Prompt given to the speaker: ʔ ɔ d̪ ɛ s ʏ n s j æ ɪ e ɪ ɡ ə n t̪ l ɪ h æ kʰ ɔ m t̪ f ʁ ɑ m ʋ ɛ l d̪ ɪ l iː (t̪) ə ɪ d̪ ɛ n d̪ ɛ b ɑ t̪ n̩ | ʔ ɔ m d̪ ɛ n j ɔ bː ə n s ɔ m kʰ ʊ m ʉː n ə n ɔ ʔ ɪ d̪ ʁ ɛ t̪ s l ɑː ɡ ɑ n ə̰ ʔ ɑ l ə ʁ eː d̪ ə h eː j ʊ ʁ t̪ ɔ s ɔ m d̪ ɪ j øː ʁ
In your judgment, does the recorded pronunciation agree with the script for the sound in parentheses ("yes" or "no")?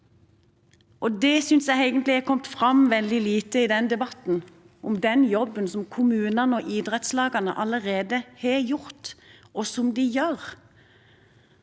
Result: yes